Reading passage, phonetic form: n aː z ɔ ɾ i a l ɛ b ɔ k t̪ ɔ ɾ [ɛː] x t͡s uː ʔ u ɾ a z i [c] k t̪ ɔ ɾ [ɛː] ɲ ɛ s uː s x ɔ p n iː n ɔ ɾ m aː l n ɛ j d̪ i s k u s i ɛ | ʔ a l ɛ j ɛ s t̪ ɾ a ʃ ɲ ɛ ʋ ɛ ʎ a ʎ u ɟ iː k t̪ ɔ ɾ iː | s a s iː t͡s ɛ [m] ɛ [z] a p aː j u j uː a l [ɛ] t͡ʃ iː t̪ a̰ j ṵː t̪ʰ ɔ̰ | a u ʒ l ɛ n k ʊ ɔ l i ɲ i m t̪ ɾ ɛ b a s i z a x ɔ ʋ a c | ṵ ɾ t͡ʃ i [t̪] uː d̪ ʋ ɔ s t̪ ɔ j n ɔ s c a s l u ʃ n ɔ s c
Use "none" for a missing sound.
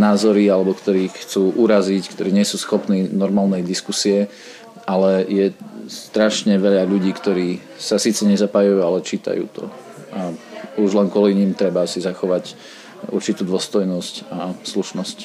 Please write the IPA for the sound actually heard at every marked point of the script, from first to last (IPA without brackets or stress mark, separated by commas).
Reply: iː, c, iː, ɲ, z, ɛ, t̪